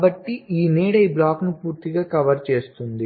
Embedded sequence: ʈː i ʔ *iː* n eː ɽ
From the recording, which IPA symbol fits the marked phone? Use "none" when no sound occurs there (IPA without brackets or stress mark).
iː